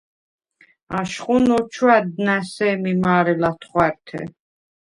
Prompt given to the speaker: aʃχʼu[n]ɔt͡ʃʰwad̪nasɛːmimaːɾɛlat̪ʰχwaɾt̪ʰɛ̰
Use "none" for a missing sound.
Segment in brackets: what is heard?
n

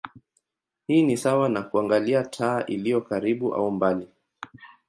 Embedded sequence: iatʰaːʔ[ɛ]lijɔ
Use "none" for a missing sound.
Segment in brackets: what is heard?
i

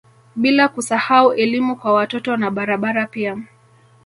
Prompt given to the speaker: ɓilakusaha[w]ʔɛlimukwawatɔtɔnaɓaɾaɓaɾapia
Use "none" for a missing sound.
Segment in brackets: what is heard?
u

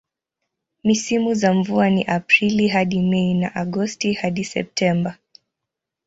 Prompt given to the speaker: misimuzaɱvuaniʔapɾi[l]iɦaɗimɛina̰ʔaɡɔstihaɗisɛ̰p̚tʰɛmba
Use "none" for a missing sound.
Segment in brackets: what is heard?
l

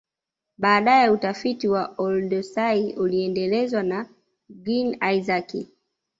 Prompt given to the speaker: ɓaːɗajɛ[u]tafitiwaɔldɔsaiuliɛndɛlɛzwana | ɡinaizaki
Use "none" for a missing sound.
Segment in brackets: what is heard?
u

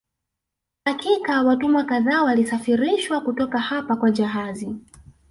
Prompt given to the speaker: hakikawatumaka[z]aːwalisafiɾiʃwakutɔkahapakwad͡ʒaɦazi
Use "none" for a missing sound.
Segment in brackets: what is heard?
ð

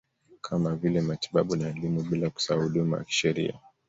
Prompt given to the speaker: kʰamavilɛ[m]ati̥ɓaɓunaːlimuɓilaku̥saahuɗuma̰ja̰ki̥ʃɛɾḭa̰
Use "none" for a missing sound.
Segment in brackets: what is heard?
m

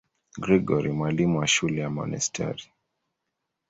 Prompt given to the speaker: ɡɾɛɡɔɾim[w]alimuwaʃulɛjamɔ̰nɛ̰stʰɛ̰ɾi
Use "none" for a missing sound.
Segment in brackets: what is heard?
w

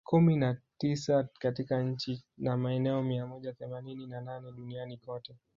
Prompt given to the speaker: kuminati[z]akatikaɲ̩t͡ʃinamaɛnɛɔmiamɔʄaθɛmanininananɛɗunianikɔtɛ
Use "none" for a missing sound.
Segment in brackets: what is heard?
s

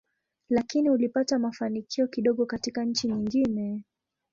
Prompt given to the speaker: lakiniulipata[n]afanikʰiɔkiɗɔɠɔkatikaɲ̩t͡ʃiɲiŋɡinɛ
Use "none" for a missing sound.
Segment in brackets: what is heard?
m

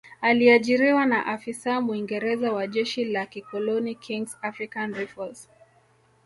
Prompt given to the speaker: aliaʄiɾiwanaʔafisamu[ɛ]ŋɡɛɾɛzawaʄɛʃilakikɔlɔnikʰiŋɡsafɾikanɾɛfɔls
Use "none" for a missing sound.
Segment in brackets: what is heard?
i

